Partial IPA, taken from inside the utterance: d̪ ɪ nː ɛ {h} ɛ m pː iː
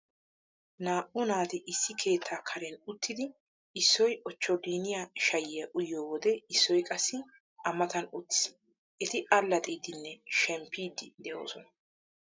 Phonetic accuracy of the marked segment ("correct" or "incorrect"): incorrect